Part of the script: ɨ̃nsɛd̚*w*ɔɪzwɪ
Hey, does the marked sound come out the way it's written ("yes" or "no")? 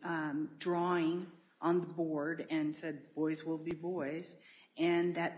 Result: no